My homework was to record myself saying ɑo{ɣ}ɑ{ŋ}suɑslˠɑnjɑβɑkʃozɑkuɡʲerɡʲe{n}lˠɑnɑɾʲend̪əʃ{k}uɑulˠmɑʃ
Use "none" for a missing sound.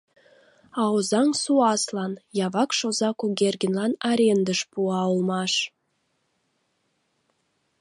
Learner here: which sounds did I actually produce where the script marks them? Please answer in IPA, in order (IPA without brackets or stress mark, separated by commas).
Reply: z, ŋ, n, p